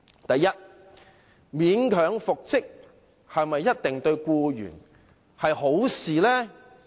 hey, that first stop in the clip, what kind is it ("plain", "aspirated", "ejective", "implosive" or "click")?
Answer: plain